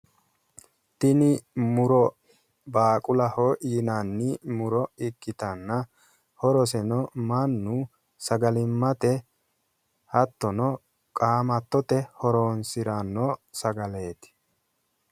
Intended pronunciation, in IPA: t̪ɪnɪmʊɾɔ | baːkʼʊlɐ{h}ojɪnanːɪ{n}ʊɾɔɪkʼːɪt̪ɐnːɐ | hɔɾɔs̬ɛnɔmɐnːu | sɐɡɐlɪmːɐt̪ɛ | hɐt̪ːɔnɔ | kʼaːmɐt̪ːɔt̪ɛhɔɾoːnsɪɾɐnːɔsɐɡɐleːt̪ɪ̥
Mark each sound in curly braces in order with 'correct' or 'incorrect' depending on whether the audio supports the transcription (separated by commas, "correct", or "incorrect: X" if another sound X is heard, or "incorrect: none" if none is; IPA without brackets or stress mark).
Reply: correct, incorrect: m